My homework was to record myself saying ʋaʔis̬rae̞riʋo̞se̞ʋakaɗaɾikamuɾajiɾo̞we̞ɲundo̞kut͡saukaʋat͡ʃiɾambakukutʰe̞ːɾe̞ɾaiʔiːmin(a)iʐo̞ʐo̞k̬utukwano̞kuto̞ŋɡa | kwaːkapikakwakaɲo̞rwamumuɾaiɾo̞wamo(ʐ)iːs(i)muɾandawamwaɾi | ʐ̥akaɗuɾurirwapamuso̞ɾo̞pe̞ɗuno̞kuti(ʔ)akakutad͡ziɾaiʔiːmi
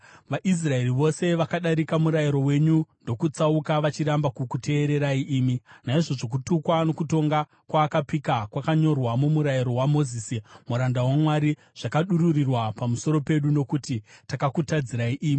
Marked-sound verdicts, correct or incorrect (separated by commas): correct, incorrect, correct, incorrect